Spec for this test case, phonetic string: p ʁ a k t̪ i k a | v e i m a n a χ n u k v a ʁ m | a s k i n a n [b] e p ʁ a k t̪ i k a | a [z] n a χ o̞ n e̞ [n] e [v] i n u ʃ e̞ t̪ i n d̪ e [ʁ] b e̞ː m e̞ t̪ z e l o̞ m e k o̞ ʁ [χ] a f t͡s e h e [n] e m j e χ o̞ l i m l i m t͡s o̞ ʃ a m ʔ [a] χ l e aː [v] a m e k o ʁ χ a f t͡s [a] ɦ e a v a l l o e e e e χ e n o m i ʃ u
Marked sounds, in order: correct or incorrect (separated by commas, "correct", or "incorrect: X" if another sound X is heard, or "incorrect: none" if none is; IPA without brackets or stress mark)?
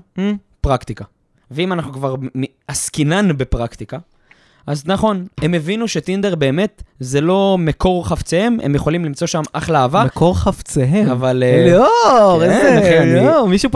correct, correct, incorrect: m, correct, correct, correct, incorrect: m, correct, correct, incorrect: e